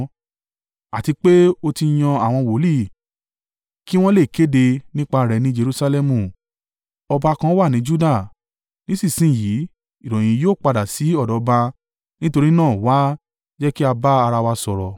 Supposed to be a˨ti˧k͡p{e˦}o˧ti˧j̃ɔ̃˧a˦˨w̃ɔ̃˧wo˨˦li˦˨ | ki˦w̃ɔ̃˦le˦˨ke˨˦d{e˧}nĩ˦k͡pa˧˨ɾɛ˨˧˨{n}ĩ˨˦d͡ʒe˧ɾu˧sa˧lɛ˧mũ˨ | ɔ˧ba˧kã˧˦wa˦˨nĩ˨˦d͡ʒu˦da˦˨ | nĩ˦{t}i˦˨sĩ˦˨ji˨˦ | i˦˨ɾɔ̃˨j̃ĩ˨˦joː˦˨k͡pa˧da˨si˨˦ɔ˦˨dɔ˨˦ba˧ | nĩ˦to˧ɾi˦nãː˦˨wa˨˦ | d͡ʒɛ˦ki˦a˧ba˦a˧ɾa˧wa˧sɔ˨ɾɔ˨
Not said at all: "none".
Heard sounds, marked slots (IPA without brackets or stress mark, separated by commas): e˦, e˧, n, s